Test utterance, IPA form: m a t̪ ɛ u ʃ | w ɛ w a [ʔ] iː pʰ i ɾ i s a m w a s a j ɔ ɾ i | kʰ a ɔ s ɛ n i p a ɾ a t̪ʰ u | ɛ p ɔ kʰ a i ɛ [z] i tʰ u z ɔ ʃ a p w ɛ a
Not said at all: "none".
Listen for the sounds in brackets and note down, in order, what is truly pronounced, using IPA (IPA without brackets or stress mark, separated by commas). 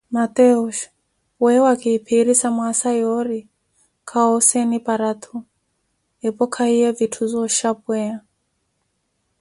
k, v